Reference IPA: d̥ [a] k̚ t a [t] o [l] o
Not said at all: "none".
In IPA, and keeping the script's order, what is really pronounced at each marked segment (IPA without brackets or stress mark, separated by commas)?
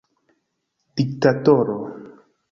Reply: i, t, ɾ